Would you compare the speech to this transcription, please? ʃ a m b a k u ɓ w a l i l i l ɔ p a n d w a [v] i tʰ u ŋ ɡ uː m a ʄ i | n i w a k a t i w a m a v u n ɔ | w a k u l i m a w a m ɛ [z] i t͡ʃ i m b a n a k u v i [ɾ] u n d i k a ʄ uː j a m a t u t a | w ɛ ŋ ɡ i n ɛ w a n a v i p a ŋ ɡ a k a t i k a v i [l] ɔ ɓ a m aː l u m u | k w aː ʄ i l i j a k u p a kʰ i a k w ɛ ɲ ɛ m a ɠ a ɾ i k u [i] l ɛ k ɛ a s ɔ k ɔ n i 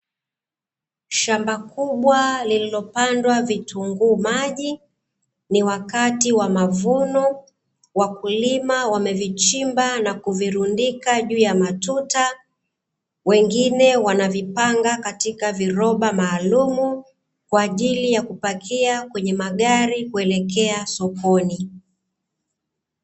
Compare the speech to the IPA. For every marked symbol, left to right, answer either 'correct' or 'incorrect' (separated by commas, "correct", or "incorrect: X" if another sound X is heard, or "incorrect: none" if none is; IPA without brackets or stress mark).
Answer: correct, incorrect: v, correct, incorrect: ɾ, incorrect: ɛ